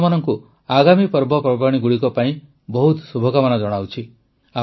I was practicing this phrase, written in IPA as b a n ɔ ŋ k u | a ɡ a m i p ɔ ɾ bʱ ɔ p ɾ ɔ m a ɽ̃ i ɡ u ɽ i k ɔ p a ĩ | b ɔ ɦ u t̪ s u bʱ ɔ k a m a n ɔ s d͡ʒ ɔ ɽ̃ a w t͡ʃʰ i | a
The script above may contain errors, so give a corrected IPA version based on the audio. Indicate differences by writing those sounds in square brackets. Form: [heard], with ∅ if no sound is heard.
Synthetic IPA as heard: [m] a n ɔ ŋ k u | a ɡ a m i p ɔ ɾ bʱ ɔ p ɾ ɔ [b] a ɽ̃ i ɡ u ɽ i k ɔ p a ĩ | b ɔ ɦ u t̪ s u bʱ ɔ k a m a n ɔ [∅] d͡ʒ ɔ ɽ̃ a w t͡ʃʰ i | a